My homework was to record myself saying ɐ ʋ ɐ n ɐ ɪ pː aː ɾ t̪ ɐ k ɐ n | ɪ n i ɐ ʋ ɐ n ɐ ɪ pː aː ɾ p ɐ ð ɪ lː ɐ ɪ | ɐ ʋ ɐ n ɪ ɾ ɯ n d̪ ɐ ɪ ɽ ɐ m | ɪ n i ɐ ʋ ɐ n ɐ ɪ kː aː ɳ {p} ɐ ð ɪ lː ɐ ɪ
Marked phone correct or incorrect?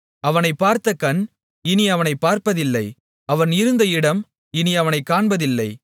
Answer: incorrect